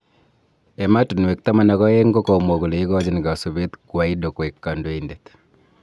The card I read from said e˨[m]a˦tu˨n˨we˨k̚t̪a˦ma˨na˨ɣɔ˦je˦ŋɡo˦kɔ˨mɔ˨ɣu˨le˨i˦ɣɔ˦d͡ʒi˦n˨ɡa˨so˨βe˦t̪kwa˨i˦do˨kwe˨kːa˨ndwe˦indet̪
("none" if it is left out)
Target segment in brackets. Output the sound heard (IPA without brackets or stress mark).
m